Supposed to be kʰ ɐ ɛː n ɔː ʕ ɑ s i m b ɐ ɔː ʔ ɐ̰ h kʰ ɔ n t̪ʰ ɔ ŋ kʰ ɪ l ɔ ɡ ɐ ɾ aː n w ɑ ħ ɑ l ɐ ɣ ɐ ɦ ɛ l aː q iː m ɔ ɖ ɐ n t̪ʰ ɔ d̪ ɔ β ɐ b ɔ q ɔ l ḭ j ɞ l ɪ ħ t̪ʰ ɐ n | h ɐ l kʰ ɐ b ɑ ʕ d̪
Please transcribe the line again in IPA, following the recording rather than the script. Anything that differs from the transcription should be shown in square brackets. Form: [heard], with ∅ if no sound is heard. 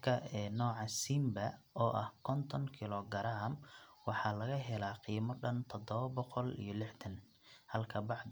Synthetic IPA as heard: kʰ ɐ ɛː n ɔː ʕ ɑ s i m b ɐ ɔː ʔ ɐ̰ h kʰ ɔ n t̪ʰ ɔ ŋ kʰ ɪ l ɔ ɡ ɐ ɾ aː [m] w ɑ ħ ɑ l ɐ ɣ ɐ ɦ ɛ l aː q iː m ɔ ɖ ɐ n t̪ʰ ɔ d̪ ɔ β ɐ b ɔ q ɔ l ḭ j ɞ l ɪ ħ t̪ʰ ɐ n | h ɐ l kʰ ɐ b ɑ ʕ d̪